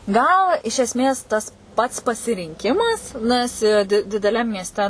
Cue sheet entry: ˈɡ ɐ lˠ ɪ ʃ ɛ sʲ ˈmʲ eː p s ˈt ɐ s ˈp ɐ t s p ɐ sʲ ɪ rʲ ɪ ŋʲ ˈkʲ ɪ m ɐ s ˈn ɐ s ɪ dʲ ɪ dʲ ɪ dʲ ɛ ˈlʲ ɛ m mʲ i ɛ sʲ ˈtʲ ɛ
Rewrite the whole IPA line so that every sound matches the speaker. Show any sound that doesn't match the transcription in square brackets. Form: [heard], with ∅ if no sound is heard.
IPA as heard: ˈɡ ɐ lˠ ɪ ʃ ɛ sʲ ˈmʲ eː [∅] s ˈt ɐ s ˈp ɐ t s p ɐ sʲ ɪ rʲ ɪ ŋʲ ˈkʲ ɪ m ɐ s ˈn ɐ s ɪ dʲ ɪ dʲ ɪ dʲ ɛ ˈlʲ ɛ m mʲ i ɛ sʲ ˈtʲ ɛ